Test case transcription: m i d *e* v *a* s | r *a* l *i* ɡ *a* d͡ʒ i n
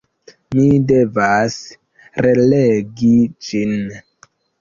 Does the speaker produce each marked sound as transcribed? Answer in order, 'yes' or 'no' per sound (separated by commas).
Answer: yes, yes, no, no, no